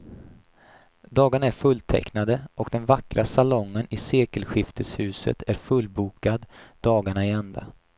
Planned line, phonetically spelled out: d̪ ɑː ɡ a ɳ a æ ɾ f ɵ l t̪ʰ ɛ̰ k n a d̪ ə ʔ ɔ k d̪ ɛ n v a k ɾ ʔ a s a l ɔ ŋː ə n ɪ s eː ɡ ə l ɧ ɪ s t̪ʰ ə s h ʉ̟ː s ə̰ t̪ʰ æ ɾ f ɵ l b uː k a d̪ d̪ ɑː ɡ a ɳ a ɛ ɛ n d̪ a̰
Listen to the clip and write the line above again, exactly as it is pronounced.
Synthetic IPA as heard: d̪ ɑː ɡ a ɳ a æ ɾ f ɵ l t̪ʰ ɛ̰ k n a d̪ ə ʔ ɔ k d̪ ɛ n v a k ɾ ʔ a s a l ɔ ŋː ə n ɪ s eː k ə l ɧ ɪ f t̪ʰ ə s h ʉ̟ː s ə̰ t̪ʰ æ ɾ f ɵ l b uː k a d̪ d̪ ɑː ɡ a ɳ a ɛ ɛ n d̪ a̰